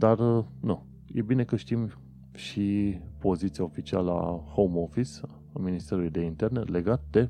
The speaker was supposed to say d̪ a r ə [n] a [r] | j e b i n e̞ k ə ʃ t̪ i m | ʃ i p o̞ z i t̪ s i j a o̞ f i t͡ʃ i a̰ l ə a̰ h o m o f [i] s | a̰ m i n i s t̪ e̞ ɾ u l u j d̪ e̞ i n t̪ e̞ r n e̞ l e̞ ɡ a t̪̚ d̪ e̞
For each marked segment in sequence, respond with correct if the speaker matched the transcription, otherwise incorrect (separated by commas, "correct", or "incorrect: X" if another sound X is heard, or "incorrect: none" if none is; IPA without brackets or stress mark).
correct, incorrect: none, correct